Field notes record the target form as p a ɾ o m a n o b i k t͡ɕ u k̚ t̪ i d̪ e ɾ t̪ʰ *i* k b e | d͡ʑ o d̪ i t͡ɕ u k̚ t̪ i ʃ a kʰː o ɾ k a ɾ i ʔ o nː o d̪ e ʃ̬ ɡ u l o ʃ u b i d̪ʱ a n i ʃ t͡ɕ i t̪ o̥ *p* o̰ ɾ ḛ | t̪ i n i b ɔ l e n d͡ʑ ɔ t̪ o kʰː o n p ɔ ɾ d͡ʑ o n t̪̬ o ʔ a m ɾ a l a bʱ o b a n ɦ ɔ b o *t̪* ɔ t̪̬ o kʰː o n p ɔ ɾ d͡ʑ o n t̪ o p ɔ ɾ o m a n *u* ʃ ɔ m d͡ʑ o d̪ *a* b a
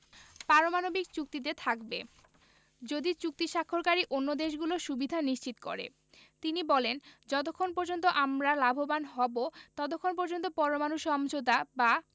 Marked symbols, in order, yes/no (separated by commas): no, no, yes, yes, yes